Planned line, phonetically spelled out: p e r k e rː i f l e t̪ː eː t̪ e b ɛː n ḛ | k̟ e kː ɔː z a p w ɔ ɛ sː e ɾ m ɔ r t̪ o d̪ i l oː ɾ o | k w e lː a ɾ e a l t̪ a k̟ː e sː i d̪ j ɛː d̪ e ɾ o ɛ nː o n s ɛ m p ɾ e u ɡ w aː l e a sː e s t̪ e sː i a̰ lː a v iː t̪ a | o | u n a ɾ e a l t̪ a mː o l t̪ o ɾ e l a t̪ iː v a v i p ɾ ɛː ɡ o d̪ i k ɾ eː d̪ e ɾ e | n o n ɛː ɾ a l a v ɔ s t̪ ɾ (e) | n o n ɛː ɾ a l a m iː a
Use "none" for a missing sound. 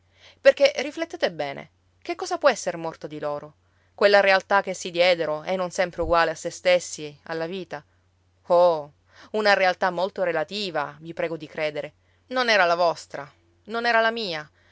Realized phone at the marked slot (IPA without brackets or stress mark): a